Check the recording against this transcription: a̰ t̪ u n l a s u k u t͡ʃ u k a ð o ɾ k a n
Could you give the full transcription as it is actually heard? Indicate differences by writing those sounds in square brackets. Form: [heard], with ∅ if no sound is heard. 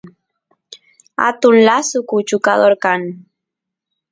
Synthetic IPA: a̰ t̪ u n l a s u k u t͡ʃ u k a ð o ɾ k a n